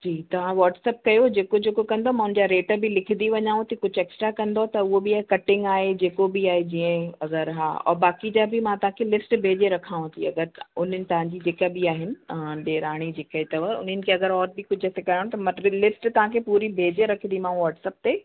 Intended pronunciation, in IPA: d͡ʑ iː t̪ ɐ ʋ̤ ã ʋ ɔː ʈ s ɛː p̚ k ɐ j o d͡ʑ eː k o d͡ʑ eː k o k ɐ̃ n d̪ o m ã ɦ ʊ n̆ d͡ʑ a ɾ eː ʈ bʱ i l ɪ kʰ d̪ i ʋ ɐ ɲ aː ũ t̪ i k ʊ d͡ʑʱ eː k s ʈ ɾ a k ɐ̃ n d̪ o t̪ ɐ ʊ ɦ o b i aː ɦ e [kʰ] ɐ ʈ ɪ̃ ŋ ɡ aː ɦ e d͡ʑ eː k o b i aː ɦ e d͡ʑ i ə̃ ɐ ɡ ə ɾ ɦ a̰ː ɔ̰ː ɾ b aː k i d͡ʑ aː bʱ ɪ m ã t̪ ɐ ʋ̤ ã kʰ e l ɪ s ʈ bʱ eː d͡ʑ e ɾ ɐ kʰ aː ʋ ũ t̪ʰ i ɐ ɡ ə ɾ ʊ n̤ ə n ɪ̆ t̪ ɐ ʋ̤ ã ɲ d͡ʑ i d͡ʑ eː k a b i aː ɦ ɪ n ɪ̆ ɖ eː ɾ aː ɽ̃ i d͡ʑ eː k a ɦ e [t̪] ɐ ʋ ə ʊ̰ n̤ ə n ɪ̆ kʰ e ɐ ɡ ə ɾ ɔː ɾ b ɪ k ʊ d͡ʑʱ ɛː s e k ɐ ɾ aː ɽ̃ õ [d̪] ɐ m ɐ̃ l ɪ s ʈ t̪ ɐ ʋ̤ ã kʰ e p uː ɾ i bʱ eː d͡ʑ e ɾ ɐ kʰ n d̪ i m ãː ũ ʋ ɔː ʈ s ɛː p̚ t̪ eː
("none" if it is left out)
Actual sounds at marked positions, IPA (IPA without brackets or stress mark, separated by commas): k, t̪, t̪